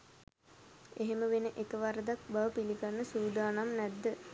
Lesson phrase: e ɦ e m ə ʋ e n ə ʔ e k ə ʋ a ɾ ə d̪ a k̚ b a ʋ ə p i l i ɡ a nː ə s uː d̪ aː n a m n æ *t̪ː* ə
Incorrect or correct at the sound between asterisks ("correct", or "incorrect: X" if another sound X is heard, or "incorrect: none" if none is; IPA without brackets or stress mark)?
incorrect: d̪ː